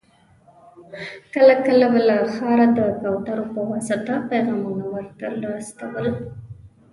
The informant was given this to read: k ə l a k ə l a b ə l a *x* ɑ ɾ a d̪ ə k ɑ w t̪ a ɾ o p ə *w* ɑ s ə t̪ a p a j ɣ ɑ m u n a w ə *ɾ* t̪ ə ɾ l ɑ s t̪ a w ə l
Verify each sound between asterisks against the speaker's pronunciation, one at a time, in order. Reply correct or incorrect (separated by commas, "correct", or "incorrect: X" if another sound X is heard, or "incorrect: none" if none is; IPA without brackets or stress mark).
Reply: correct, correct, correct